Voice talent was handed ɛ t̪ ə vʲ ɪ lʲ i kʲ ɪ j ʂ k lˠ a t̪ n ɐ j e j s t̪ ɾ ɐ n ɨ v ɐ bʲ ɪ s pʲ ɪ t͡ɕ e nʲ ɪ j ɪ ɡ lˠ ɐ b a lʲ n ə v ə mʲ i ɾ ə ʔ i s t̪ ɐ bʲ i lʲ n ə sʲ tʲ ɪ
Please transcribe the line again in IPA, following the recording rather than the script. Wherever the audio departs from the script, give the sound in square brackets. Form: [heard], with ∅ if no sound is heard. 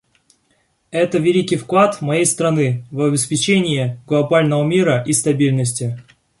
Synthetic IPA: ɛ t̪ ə vʲ ɪ lʲ i kʲ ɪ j [f] k lˠ a t̪ [m] ɐ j e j s t̪ ɾ ɐ n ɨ v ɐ bʲ ɪ s pʲ ɪ t͡ɕ e nʲ ɪ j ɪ ɡ lˠ ɐ b a lʲ n ə v ə mʲ i ɾ ə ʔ i s t̪ ɐ bʲ i lʲ n ə sʲ tʲ ɪ